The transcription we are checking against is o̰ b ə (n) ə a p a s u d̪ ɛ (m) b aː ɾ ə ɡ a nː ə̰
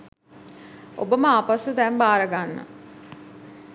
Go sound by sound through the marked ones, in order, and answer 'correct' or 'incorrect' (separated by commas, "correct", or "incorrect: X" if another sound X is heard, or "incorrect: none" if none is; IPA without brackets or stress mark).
incorrect: m, correct